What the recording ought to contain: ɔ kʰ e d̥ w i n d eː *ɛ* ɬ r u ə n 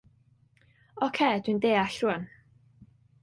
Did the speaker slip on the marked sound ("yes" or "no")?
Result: yes